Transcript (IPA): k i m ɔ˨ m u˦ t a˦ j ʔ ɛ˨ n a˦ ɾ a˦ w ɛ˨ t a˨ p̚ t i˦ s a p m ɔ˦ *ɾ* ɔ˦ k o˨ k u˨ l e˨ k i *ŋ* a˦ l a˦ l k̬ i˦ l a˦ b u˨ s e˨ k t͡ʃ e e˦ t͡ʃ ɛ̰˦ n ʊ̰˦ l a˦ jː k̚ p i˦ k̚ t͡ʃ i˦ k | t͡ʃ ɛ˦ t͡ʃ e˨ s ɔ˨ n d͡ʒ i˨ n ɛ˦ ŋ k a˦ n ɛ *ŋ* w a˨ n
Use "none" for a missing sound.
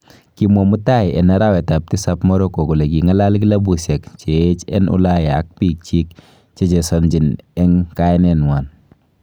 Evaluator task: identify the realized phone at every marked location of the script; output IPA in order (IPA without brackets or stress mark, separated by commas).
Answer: ɾ, ŋ, n